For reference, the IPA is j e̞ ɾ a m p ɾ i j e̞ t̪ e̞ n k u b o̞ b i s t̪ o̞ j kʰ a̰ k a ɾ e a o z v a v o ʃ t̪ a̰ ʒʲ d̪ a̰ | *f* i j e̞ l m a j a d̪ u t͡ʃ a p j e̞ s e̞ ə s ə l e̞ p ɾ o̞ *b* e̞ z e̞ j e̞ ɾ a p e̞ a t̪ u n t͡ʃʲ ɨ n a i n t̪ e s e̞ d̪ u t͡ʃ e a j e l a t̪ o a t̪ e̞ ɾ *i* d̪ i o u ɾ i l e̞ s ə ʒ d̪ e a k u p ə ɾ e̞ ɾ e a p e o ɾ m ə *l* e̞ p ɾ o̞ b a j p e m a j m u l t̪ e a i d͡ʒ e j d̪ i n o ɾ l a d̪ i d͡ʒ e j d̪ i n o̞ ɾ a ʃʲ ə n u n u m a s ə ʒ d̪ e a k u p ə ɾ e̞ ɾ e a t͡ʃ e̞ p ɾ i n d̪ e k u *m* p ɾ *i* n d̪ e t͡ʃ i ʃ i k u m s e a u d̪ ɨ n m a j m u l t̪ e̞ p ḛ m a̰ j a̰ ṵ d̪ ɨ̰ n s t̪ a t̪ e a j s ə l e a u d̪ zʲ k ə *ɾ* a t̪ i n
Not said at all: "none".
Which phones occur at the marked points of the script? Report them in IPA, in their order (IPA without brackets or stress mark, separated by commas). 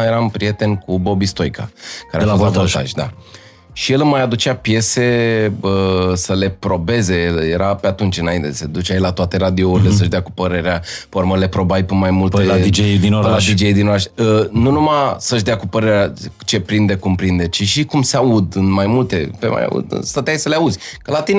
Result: ʃ, b, a, l, m, i, l